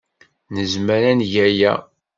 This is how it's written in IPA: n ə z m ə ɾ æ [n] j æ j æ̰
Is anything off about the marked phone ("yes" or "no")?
no